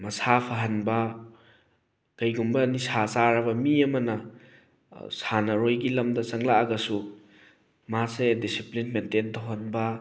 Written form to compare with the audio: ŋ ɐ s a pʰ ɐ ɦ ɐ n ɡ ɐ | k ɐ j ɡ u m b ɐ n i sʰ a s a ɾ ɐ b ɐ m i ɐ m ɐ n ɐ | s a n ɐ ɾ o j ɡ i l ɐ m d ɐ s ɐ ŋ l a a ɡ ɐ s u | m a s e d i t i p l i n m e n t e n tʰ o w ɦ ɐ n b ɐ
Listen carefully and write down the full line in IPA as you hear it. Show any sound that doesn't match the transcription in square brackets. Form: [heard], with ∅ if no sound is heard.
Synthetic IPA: [m] ɐ s a pʰ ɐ ɦ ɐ n [b] ɐ | k ɐ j ɡ u m b ɐ n i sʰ a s a ɾ ɐ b ɐ m i ɐ m ɐ n ɐ | s a n ɐ ɾ o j ɡ i l ɐ m d ɐ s ɐ ŋ l a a ɡ ɐ s u | m a s e d i [s] i p l i n m e n t e n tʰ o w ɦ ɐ n b ɐ